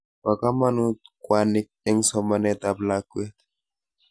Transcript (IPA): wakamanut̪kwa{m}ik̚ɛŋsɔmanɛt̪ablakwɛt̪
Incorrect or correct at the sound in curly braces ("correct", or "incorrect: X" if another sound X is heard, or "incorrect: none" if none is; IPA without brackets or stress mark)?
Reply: incorrect: n